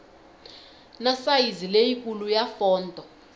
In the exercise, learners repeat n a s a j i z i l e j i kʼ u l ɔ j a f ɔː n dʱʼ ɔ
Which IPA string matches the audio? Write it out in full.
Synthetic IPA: n a s a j i z i l e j i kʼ u l u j a f ɔː n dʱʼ ɔ